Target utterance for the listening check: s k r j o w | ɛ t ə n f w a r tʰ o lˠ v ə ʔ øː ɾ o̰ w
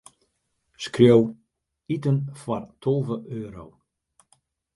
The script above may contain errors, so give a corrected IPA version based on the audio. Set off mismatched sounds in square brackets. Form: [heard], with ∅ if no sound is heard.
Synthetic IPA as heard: s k r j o w | [i] t ə n f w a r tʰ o lˠ v ə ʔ øː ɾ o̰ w